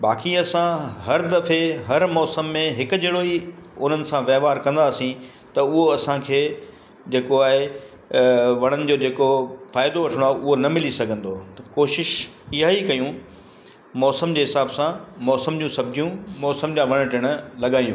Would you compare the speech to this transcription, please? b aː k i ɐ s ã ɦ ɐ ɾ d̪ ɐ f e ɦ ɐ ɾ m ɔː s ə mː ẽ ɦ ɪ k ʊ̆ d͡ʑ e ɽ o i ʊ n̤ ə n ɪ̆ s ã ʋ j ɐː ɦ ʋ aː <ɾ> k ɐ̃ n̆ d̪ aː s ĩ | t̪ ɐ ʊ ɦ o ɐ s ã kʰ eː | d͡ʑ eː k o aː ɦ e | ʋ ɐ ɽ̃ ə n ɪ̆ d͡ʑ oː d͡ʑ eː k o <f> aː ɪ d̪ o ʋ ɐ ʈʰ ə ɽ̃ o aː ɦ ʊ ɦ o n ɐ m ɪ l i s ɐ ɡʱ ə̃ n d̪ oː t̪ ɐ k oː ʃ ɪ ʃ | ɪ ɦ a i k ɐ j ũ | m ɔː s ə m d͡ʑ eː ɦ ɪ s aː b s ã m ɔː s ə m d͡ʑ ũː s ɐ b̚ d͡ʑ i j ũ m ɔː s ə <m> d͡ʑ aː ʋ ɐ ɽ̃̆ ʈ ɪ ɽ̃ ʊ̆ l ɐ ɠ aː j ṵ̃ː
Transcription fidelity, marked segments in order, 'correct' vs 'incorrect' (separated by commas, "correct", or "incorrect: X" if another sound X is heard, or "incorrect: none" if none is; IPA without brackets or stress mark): correct, correct, correct